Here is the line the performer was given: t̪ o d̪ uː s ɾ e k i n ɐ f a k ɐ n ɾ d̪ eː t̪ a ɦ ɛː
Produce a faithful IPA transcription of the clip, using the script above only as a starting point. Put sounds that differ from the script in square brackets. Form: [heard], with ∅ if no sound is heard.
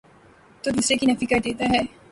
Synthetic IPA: t̪ o d̪ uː s ɾ e k i n ɐ f [i] k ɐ [∅] ɾ d̪ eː t̪ a ɦ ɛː